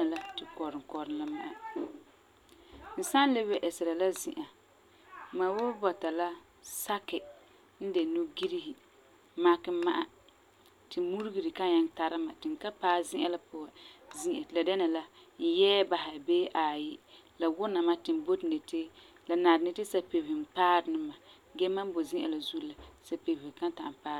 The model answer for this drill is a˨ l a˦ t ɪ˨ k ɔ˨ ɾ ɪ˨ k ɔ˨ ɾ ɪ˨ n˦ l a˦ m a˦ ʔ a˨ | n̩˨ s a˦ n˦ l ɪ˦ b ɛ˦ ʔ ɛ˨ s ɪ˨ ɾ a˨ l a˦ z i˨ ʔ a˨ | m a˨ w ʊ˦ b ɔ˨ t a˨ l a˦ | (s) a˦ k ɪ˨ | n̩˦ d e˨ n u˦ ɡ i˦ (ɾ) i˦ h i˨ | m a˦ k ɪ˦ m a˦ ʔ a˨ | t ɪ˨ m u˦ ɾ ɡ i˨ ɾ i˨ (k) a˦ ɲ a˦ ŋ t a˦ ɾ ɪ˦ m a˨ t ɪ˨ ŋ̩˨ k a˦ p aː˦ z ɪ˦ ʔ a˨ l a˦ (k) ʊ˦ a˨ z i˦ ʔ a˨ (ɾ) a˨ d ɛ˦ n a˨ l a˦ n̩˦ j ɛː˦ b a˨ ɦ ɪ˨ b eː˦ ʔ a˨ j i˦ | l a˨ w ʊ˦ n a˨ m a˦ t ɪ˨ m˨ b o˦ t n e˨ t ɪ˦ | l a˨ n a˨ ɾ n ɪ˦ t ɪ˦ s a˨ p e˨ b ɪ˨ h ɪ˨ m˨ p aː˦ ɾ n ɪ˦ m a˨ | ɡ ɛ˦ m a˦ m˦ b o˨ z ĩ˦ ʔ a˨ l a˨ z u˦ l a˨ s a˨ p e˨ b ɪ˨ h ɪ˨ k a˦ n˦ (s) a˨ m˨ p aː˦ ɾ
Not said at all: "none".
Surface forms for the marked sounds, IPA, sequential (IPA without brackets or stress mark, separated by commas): s, ɾ, k, p, l, t